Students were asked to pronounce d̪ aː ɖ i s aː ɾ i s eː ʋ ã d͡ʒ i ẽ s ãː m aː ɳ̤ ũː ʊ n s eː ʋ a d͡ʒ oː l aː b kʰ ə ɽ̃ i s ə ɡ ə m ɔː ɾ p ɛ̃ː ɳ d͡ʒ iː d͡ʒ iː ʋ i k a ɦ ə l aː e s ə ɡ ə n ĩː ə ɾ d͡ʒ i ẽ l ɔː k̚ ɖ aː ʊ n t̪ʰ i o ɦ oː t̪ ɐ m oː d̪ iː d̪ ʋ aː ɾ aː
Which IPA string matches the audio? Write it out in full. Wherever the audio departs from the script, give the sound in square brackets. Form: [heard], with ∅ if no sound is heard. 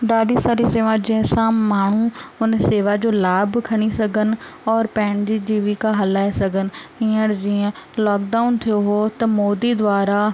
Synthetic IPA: d̪ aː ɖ i s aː ɾ i s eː ʋ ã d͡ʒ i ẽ s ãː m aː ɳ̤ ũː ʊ n s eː ʋ a d͡ʒ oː l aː b kʰ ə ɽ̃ i s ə ɡ ə [n] ɔː ɾ p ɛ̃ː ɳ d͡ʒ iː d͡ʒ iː ʋ i k a ɦ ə l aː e s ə ɡ ə n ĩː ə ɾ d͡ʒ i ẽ l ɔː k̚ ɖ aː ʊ n t̪ʰ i o ɦ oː t̪ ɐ m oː d̪ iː d̪ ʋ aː ɾ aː